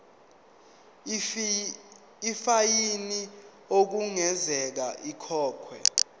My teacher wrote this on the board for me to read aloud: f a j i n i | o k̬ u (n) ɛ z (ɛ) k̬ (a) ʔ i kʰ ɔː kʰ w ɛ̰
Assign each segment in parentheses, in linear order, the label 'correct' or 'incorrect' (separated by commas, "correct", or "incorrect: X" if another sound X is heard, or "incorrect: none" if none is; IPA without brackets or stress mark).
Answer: incorrect: ŋ, correct, correct